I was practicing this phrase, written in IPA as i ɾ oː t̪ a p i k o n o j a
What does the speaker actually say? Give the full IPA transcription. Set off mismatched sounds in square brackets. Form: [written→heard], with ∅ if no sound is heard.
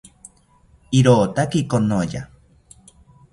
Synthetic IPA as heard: i ɾ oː t̪ a [p→k] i k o n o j a